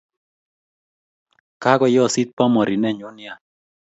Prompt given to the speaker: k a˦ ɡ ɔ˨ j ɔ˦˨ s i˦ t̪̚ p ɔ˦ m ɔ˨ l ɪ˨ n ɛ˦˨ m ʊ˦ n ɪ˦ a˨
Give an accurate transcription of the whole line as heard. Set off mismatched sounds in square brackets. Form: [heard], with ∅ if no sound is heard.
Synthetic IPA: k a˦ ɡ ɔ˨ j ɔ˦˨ s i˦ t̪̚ p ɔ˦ m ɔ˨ [ɾ] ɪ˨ n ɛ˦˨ [ɲ] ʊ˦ n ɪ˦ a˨